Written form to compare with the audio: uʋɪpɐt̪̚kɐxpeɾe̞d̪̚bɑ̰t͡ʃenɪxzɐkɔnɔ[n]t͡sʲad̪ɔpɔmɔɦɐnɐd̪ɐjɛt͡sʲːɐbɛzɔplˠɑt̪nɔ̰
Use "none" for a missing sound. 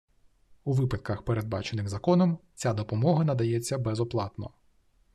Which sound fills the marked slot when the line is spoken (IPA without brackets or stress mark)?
m